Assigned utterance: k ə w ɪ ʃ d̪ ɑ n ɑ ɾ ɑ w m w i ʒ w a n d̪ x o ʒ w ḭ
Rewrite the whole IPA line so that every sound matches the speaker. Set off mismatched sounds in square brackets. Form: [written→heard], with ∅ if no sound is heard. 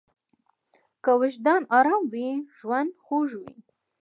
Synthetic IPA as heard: k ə w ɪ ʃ d̪ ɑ n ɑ ɾ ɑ [w→∅] m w i ʒ w a n d̪ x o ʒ w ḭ